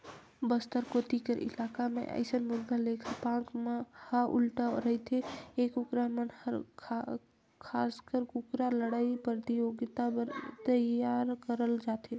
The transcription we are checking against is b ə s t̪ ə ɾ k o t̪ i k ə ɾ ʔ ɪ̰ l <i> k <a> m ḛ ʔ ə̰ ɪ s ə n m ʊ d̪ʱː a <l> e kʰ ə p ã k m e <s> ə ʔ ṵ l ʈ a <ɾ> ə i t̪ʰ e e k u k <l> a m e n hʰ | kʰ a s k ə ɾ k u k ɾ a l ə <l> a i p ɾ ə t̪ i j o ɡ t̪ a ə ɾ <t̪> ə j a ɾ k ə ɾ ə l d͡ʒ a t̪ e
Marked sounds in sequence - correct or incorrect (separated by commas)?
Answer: incorrect, correct, correct, incorrect, correct, incorrect, incorrect, correct